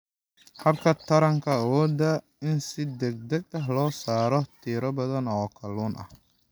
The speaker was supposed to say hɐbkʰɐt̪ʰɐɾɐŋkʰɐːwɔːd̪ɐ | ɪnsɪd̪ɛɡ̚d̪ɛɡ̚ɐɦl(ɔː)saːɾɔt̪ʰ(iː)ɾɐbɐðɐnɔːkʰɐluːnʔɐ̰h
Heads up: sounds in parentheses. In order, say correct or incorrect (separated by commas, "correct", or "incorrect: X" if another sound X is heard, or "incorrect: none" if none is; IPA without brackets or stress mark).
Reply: correct, correct